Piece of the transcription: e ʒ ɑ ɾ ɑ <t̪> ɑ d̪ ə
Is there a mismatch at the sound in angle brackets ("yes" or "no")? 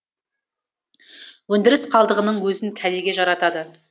no